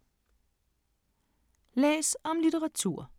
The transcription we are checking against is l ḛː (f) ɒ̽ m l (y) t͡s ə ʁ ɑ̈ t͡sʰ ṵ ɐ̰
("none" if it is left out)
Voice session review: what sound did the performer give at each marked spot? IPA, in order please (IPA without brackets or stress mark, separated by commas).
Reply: s, i